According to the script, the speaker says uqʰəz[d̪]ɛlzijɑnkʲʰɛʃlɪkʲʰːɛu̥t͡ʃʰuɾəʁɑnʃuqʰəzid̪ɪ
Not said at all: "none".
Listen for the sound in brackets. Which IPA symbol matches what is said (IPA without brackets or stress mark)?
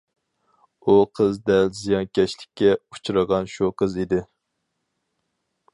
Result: d̪